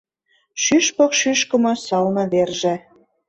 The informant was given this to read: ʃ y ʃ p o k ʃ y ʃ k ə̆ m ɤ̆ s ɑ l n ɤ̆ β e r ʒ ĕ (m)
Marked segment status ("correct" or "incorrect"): incorrect